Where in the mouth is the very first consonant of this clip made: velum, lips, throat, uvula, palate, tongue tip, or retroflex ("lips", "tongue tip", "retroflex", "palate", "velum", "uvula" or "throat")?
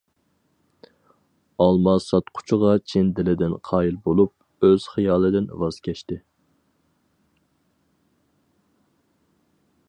tongue tip